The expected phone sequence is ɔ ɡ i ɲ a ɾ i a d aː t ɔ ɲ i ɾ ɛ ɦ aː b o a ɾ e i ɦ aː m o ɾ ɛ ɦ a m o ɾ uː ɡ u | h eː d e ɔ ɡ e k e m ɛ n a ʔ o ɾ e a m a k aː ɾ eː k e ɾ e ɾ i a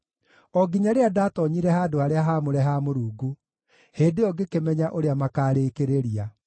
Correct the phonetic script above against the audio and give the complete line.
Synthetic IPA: ɔ ɡ i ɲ a ɾ e a d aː t ɔ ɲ i ɾ ɛ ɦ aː d o a ɾ e a ɦ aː m o ɾ ɛ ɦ a m o ɾ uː ɡ u | h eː d e ɔ ɡ e k e m ɛ ɲ a ʔ o ɾ e a m a k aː ɾ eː k e ɾ e ɾ i a